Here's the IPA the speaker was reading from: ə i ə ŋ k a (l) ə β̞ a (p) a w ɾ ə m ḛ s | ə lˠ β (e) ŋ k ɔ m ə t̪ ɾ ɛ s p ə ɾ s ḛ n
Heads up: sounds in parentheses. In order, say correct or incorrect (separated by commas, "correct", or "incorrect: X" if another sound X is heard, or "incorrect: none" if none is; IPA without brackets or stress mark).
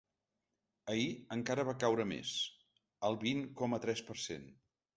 incorrect: ɾ, incorrect: k, incorrect: i